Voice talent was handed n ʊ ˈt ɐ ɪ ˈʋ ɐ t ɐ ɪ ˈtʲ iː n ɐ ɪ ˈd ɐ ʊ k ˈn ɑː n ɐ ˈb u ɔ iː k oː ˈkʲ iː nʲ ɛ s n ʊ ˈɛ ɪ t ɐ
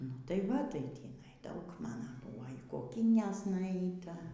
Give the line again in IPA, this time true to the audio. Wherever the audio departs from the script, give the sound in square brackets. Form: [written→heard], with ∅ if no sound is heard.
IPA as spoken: n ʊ ˈt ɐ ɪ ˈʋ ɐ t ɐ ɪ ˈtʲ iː n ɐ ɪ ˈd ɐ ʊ k [ˈn→ˈm] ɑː n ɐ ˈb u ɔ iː k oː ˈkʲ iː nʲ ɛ s n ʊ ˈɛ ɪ t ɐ